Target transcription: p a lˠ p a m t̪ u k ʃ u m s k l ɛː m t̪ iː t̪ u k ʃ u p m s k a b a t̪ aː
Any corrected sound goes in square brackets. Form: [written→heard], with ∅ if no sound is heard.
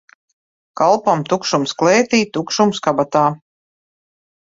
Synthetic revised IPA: [p→k] a lˠ p a m t̪ u k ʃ u m s k l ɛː [m→∅] t̪ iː t̪ u k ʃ u [p→∅] m s k a b a t̪ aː